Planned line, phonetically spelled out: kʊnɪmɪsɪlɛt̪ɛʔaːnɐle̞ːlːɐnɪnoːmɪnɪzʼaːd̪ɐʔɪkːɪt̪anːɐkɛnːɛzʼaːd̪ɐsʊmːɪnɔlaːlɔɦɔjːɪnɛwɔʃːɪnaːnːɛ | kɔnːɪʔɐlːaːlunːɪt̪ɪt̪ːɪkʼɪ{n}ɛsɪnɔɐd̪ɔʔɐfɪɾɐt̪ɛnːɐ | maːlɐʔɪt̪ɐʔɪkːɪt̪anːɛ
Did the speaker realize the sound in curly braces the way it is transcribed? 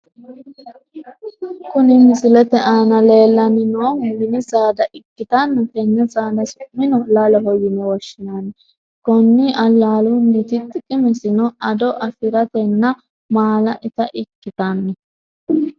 no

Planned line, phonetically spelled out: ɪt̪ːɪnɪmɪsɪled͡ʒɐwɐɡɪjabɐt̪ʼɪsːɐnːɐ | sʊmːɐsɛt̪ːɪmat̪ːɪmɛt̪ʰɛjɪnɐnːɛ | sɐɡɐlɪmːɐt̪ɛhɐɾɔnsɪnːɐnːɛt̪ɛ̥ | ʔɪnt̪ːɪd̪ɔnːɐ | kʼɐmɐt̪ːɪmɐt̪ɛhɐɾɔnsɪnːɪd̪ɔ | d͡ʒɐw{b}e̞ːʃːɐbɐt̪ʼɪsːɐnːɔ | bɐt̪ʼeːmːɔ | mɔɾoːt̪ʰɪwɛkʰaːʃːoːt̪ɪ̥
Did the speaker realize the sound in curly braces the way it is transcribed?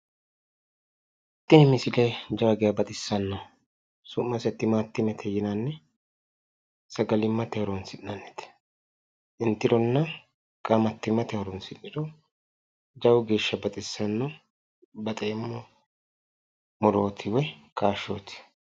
no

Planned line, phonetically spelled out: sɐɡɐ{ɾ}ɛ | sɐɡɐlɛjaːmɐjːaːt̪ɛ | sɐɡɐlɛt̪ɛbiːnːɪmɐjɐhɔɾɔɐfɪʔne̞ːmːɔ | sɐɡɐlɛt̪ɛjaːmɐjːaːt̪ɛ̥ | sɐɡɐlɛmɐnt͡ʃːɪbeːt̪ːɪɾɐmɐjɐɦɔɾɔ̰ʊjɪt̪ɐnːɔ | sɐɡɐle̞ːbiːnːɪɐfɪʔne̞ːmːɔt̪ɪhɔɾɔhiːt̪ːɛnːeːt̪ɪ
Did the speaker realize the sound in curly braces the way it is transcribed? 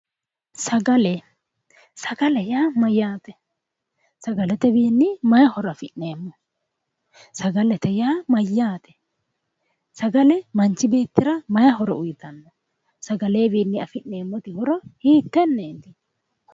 no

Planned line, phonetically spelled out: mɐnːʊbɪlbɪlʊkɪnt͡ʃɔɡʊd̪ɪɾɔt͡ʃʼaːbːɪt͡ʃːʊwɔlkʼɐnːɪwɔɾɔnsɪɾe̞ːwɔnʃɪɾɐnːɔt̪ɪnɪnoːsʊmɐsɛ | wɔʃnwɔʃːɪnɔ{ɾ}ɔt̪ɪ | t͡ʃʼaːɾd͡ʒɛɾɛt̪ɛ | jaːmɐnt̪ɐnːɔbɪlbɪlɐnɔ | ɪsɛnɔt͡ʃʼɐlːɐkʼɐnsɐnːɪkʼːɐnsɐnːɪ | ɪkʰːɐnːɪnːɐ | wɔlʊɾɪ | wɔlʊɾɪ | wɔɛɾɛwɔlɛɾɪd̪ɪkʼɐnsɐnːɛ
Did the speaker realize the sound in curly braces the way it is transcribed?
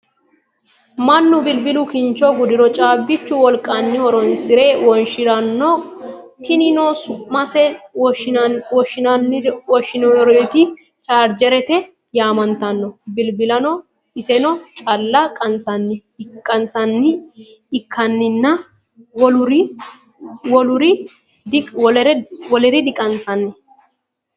yes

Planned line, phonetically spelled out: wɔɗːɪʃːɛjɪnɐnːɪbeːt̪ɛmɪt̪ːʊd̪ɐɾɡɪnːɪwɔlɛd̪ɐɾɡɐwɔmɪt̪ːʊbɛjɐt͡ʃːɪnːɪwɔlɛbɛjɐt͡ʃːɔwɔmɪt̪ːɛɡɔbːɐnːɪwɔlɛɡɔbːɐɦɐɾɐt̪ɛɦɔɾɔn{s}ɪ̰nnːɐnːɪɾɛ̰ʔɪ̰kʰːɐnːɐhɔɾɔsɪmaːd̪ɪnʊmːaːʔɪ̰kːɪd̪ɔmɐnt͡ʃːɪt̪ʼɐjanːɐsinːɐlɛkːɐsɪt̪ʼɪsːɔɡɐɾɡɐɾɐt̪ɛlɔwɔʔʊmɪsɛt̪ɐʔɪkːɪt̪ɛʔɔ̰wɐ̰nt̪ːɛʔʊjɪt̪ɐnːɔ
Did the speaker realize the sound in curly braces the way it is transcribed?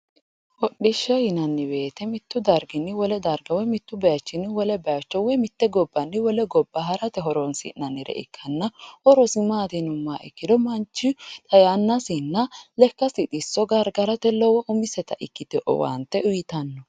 yes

